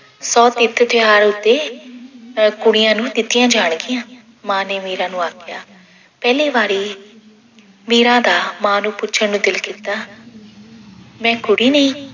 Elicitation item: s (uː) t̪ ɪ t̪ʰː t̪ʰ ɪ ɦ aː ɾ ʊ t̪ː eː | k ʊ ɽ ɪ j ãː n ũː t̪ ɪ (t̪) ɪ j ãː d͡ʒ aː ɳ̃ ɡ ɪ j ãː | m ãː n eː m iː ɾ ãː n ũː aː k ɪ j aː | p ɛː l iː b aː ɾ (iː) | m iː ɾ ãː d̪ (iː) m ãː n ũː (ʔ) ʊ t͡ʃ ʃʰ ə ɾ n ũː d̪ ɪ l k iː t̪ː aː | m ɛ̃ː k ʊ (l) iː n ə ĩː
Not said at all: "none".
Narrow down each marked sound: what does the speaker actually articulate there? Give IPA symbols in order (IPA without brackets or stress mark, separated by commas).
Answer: ɔː, t̪, iː, aː, p, ɽ